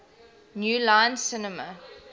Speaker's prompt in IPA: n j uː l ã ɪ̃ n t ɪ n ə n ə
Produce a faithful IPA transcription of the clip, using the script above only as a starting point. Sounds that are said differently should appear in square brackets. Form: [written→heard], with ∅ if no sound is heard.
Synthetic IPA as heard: n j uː l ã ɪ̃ n [t→s] ɪ n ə [n→m] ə